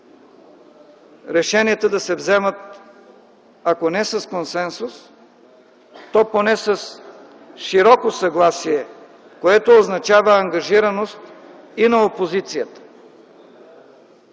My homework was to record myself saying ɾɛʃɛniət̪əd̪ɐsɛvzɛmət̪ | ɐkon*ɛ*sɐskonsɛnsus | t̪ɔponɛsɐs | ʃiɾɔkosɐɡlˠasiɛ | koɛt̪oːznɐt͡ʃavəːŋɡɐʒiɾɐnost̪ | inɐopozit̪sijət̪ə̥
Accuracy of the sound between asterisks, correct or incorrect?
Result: correct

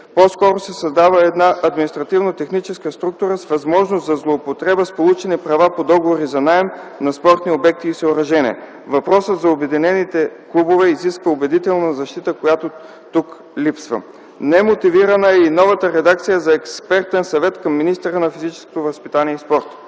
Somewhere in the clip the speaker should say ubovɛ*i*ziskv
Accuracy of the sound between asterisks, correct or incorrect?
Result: correct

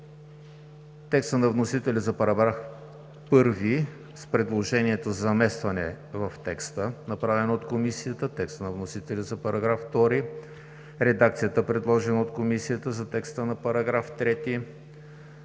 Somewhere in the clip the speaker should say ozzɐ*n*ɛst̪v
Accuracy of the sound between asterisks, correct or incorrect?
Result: incorrect: m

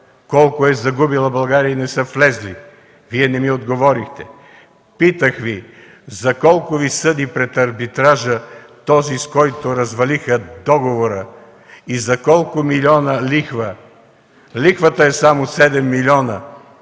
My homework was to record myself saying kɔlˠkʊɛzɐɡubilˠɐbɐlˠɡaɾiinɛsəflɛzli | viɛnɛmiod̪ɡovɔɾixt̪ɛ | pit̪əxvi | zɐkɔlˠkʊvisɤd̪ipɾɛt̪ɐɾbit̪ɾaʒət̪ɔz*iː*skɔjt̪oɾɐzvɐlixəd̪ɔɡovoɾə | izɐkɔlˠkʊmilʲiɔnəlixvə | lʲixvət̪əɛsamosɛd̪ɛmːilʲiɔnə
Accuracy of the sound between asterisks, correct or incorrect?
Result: incorrect: i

